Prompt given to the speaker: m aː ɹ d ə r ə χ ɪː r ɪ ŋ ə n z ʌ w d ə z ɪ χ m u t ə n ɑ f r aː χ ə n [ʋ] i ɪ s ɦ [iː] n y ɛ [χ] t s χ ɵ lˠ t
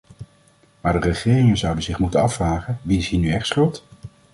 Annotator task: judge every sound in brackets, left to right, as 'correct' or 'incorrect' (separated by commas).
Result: correct, correct, correct